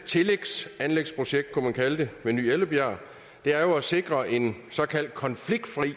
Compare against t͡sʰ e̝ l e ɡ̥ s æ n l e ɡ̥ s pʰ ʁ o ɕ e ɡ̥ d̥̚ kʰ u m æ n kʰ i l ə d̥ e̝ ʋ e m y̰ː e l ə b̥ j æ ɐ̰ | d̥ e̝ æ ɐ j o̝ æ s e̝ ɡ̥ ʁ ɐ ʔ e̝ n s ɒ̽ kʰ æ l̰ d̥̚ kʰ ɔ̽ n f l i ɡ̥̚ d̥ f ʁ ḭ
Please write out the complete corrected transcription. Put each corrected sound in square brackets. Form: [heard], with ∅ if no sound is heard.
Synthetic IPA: t͡sʰ e̝ l e ɡ̥ s æ n l e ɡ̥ s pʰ ʁ o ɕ e ɡ̥ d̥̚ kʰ u m æ n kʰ [æ] l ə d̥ e̝ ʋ e [n] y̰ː e l ə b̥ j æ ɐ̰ | d̥ e̝ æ ɐ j o̝ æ s e̝ ɡ̥ ʁ ɐ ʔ e̝ n s ɒ̽ kʰ æ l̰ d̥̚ kʰ [ɒ̽] n f l i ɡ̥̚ d̥ f ʁ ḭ